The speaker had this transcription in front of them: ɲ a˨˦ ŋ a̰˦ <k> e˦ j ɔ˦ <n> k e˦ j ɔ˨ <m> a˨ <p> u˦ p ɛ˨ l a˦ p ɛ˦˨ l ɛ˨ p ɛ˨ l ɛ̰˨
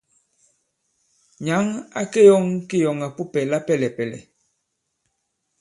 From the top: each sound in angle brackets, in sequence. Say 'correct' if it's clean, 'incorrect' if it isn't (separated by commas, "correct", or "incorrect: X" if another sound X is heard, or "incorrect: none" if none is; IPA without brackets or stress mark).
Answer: correct, incorrect: ŋ, incorrect: ŋ, correct